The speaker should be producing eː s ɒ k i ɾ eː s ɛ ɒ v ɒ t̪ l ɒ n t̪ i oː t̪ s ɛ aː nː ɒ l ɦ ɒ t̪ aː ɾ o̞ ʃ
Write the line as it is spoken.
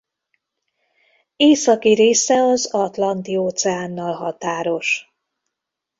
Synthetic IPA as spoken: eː s ɒ k i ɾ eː s ɛ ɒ z ɒ t̪ l ɒ n t̪ i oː t̪ s ɛ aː nː ɒ l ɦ ɒ t̪ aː ɾ o̞ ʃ